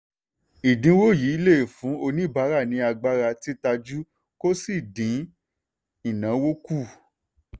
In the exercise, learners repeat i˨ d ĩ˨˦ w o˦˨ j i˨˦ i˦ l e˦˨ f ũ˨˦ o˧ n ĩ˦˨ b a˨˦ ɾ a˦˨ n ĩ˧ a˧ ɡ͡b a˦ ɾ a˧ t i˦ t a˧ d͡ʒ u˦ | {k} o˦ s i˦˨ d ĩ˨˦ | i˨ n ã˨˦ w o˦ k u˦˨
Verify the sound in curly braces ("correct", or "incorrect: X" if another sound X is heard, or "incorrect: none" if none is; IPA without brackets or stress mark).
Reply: correct